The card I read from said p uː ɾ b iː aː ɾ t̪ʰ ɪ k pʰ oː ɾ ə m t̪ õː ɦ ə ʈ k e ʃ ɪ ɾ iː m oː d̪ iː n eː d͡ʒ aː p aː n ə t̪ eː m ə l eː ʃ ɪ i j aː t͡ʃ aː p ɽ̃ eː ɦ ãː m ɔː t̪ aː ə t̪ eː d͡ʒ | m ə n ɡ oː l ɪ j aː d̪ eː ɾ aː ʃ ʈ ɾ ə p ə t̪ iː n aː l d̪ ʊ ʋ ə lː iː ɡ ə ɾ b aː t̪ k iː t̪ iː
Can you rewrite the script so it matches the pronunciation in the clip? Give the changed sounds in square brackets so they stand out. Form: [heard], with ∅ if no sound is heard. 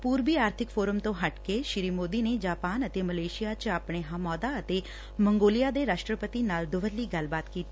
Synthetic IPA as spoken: p uː ɾ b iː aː ɾ t̪ʰ ɪ k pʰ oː ɾ ə m t̪ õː ɦ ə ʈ k e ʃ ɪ ɾ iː m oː d̪ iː n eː d͡ʒ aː p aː n ə t̪ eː m ə l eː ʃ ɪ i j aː t͡ʃ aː p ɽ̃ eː ɦ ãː m ɔː [d̪] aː ə t̪ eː [∅] | m ə [ŋ] ɡ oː l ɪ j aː d̪ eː ɾ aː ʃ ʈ ɾ ə p ə t̪ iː n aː l d̪ ʊ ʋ ə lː iː ɡ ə [l] b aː t̪ k iː t̪ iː